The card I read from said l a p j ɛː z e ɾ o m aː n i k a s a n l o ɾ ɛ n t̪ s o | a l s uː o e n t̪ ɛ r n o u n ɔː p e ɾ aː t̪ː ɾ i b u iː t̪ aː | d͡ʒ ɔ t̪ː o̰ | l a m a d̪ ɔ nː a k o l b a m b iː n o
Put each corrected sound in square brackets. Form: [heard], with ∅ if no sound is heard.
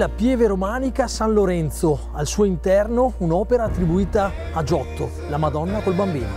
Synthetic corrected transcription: l a p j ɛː [v] e ɾ o m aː n i k a s a n l o ɾ ɛ n t̪ s o | a l s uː o [i] n t̪ ɛ r n o u n ɔː p e ɾ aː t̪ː ɾ i b u iː t̪ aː | d͡ʒ ɔ t̪ː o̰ | l a m a d̪ ɔ nː a k o l b a m b iː n o